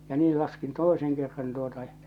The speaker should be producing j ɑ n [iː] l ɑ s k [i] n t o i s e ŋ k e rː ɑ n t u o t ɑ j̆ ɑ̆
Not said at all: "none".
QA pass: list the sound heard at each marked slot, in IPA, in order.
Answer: iː, i

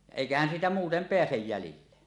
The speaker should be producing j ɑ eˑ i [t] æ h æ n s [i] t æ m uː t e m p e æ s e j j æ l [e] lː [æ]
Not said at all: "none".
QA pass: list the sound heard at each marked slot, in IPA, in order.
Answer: k, iː, i, e

